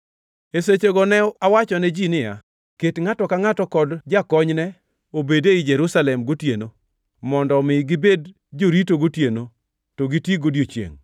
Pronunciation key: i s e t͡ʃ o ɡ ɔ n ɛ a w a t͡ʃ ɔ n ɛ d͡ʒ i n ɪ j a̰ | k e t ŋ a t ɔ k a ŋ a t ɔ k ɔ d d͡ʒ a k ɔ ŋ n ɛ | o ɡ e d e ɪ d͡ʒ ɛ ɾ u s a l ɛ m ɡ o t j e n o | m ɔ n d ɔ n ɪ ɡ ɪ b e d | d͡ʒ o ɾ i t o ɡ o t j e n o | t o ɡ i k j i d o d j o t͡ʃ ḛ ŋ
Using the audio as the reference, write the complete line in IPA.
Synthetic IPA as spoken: e s e t͡ʃ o ɡ ɔ n ɛ a w a t͡ʃ ɔ n ɛ d͡ʒ i n ɪ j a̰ | k e t ŋ a t ɔ k a ŋ a t ɔ k ɔ d d͡ʒ a k ɔ ɲ n ɛ | o b e d e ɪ d͡ʒ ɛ ɾ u s a l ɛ m ɡ o t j e n o | m ɔ n d ɔ m ɪ ɡ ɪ b e d | d͡ʒ o ɾ i t o ɡ o t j e n o | t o ɡ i t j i ɡ o d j o t͡ʃ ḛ ŋ